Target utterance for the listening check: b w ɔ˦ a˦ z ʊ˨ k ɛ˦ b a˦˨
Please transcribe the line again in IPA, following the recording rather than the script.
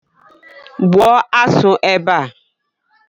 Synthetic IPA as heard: b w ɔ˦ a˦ s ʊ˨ ʔ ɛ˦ b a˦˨